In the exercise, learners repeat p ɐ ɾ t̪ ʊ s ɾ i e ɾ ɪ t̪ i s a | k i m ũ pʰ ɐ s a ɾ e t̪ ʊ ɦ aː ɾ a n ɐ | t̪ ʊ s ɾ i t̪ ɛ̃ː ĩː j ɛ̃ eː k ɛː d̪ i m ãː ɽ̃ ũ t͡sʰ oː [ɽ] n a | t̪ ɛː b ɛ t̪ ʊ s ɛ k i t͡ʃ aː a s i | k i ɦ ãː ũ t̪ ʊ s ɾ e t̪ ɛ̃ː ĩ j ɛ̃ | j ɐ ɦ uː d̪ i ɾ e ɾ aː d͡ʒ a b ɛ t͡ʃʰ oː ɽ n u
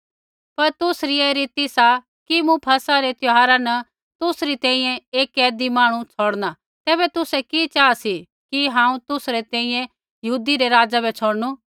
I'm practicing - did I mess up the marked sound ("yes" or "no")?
no